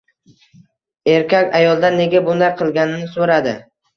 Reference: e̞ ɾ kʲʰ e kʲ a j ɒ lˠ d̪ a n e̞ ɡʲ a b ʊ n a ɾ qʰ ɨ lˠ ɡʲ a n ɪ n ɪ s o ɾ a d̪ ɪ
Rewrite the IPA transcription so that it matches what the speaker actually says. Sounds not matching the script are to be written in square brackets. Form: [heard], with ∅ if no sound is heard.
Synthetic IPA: e̞ ɾ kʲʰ [a] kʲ a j ɒ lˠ d̪ a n e̞ ɡʲ a b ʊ n a ɾ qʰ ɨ lˠ ɡʲ a n ɪ n ɪ s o ɾ a d̪ ɪ